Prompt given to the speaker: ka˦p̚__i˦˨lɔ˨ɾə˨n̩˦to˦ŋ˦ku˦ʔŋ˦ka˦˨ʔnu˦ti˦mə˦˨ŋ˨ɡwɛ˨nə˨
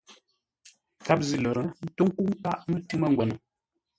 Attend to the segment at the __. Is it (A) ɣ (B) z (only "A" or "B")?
B